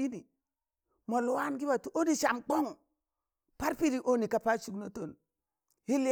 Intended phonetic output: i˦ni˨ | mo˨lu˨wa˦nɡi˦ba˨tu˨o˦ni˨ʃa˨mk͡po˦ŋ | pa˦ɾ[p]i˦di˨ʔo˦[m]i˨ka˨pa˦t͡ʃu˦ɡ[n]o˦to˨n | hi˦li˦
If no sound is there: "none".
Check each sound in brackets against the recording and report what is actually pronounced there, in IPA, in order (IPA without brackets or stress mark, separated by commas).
p, n, n